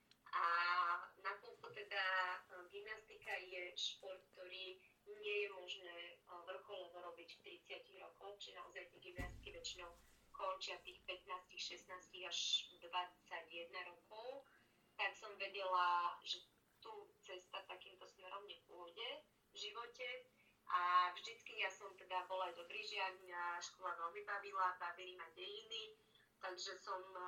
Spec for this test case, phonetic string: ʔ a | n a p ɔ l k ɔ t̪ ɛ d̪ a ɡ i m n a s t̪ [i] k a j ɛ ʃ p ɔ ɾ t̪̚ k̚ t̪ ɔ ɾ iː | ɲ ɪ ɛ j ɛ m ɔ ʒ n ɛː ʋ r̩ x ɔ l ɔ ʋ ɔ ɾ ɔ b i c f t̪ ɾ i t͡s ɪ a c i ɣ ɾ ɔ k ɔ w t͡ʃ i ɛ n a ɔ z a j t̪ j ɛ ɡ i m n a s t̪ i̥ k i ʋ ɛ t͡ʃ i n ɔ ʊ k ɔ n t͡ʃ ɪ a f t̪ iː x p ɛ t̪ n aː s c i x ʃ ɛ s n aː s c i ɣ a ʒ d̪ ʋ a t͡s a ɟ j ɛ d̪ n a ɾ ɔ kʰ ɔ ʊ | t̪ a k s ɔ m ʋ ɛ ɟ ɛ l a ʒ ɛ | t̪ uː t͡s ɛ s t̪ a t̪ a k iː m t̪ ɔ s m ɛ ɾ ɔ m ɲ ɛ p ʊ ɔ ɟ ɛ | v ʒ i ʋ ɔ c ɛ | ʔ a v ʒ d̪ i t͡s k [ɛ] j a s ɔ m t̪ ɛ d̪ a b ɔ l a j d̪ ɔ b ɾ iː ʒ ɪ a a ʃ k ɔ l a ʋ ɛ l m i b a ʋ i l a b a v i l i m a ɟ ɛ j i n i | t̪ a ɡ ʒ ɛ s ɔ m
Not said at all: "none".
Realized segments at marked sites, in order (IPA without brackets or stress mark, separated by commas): i, i